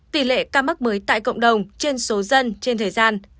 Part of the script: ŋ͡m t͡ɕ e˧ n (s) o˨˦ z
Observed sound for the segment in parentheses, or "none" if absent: s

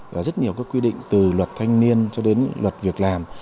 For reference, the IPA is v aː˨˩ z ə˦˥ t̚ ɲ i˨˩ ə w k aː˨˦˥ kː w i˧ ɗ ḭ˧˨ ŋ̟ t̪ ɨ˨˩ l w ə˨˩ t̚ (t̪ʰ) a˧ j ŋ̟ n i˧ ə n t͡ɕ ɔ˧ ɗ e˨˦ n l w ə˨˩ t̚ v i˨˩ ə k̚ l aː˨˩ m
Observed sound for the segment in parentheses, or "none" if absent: t̪ʰ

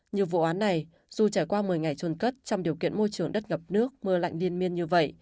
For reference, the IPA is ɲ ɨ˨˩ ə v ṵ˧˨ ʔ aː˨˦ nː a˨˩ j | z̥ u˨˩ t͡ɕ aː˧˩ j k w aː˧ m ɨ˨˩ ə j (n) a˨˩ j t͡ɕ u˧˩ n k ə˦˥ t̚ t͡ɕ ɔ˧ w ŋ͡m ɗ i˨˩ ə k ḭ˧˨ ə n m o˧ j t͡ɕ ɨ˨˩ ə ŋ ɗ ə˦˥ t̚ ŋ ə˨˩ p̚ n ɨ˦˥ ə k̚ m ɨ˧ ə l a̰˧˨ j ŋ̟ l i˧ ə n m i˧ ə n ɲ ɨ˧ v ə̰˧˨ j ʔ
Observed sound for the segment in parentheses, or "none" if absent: ŋ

